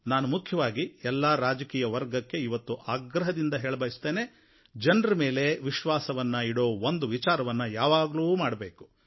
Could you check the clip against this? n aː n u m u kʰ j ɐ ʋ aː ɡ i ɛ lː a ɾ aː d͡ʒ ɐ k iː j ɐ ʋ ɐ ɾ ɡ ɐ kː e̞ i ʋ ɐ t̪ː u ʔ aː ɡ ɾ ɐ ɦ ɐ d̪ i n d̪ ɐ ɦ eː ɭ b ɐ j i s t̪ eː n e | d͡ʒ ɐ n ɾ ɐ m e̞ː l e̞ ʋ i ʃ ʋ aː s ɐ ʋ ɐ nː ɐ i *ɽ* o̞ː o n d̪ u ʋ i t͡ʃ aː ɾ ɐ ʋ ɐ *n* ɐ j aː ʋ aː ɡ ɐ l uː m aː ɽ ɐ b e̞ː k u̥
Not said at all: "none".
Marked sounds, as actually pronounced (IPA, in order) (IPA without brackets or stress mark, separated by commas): ɽ, nː